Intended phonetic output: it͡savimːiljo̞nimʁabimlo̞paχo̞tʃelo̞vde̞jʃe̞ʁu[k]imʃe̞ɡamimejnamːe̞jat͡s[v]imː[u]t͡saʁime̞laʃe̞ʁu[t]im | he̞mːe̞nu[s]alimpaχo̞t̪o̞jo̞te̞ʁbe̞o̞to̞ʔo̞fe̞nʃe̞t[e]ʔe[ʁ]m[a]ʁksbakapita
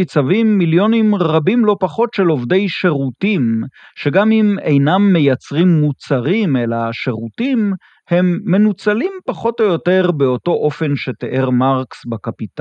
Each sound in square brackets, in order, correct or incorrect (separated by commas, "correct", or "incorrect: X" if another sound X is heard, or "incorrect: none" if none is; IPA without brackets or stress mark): incorrect: t, incorrect: ʁ, correct, correct, incorrect: t͡s, correct, correct, correct